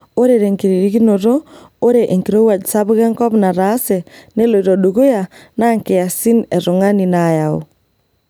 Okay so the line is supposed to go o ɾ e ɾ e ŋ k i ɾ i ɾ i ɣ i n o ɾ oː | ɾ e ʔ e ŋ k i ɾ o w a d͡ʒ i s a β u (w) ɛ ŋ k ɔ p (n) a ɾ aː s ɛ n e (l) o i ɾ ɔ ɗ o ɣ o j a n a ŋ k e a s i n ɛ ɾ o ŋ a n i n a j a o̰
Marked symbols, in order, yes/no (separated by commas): no, yes, yes